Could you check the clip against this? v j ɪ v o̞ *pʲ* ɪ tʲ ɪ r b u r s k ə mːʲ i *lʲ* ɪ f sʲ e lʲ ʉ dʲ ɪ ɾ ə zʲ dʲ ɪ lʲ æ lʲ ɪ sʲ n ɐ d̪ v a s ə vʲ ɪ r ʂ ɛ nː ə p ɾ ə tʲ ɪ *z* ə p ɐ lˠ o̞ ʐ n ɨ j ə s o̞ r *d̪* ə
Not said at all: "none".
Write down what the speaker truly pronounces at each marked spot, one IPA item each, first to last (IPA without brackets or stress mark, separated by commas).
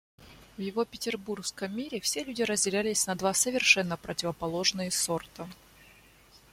pʲ, ɾʲ, v, t̪